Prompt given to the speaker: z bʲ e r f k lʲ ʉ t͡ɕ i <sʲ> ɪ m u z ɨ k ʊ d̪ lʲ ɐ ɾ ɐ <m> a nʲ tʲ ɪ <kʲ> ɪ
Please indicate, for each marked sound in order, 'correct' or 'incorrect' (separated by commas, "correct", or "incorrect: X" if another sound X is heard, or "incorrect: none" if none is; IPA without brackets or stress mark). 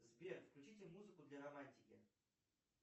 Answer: incorrect: tʲ, correct, correct